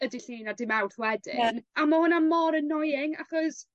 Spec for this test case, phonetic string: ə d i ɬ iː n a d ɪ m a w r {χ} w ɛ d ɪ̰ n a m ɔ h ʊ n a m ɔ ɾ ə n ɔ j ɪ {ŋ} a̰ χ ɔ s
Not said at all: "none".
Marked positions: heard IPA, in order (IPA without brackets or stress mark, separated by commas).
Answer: θ, ŋ